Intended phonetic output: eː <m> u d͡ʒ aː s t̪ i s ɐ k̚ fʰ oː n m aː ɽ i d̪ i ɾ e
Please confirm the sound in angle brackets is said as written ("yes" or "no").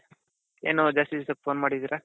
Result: no